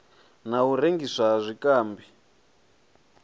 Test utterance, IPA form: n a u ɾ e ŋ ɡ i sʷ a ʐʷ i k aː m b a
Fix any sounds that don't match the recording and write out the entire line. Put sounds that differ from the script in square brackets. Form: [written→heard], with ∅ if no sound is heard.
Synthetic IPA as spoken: n a u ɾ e ŋ ɡ i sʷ a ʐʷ i k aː m b [a→i]